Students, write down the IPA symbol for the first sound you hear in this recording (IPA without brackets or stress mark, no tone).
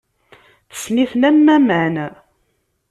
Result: θ